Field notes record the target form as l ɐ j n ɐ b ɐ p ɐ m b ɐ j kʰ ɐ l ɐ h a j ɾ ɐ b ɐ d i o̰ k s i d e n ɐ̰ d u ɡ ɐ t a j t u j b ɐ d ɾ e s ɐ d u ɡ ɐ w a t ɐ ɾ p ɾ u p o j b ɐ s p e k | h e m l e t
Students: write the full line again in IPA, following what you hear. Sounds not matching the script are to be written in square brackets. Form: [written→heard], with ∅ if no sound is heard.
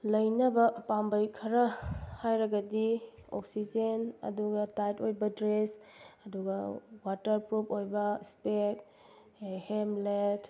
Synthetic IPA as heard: l ɐ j n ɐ b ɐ p [ɐ→a] m b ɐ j kʰ ɐ [l→ɾ] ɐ h a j ɾ ɐ [b→ɡ] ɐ d i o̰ k s i [d→d͡ʒ] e n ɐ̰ d u ɡ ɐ t a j t [u→o] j b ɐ d ɾ e s ɐ d u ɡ ɐ w a t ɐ ɾ p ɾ u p o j b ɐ s p e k | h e m l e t